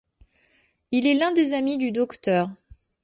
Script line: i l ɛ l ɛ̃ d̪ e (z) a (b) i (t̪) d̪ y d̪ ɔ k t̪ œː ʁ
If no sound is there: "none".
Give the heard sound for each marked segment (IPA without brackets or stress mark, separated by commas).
z, m, none